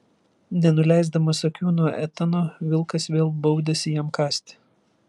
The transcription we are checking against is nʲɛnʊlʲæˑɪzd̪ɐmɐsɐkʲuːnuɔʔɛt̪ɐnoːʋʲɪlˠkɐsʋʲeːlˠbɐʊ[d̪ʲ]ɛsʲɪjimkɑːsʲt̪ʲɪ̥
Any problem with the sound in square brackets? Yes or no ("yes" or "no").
no